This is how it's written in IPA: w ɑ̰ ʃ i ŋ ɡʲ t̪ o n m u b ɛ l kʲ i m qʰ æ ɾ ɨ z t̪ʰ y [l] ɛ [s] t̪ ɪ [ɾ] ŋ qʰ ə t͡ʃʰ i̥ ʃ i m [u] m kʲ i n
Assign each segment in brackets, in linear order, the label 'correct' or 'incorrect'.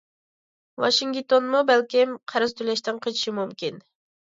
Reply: correct, incorrect, incorrect, correct

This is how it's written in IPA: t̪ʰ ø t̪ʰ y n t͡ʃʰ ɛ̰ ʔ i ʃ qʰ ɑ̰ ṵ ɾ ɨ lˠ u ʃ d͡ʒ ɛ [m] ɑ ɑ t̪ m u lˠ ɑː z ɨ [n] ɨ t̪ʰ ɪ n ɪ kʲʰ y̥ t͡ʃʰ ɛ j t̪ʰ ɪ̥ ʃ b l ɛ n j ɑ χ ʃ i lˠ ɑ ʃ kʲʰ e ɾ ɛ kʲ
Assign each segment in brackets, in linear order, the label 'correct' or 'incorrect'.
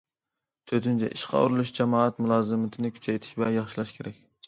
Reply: correct, incorrect

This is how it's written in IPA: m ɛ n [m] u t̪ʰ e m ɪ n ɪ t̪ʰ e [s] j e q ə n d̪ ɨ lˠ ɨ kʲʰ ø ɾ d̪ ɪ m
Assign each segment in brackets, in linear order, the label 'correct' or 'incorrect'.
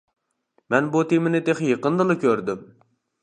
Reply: incorrect, incorrect

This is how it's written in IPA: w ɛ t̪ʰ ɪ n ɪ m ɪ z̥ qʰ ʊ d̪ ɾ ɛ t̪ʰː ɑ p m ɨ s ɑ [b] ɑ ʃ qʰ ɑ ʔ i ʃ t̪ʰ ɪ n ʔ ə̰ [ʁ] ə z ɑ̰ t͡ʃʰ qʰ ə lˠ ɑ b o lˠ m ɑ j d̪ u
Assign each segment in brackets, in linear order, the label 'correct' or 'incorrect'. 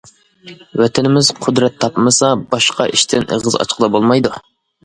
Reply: correct, correct

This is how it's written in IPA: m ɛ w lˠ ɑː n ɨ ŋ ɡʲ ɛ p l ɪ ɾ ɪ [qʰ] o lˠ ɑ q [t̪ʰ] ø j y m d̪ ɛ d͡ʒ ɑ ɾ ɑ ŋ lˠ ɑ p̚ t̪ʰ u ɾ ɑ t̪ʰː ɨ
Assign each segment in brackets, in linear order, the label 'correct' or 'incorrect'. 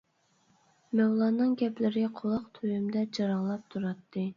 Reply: correct, correct

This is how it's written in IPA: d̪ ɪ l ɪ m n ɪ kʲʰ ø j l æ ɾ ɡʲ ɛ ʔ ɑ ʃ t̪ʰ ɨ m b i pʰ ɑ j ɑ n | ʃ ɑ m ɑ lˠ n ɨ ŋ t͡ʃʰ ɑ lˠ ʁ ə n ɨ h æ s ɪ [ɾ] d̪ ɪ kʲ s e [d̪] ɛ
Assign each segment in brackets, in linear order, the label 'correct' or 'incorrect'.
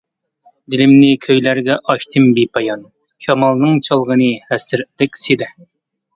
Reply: correct, correct

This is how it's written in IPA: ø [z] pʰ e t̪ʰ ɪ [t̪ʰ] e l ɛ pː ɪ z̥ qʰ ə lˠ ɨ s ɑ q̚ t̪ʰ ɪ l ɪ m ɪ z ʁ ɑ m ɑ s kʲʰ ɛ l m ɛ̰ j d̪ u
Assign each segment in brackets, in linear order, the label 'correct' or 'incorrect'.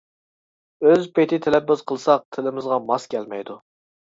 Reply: correct, correct

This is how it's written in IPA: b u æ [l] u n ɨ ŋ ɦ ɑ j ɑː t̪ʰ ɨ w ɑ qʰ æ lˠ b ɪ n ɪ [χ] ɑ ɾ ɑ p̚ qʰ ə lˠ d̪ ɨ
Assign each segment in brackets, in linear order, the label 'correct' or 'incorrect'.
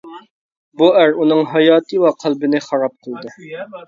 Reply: incorrect, correct

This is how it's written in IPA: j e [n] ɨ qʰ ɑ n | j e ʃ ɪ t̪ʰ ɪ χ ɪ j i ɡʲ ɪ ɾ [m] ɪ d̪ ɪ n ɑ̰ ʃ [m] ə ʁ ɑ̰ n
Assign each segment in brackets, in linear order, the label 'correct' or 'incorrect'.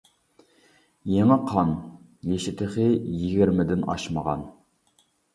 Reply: incorrect, correct, correct

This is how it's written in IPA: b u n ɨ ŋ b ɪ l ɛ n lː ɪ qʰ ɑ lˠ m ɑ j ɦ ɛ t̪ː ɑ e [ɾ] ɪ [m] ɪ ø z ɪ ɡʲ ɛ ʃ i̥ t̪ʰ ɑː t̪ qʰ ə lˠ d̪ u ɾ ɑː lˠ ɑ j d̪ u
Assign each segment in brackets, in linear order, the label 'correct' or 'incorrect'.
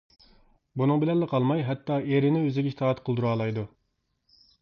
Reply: correct, incorrect

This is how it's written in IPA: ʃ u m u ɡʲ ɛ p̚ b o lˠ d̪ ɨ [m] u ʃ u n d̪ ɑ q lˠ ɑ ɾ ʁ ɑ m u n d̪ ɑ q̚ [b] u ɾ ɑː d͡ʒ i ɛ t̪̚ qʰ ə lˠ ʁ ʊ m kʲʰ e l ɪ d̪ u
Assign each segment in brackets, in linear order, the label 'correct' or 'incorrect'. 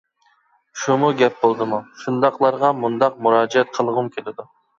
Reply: correct, incorrect

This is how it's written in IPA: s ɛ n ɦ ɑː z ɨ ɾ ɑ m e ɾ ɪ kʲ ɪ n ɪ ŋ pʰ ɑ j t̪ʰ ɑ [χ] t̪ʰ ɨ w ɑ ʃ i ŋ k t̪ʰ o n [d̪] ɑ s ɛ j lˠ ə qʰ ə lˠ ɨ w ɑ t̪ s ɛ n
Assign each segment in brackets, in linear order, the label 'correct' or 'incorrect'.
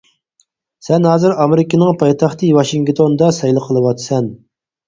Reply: correct, correct

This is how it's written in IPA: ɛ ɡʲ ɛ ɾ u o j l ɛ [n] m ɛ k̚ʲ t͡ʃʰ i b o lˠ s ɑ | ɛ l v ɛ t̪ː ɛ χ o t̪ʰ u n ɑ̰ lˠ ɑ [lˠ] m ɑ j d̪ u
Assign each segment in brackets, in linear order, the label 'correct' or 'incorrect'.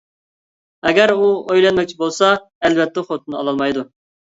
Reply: correct, correct

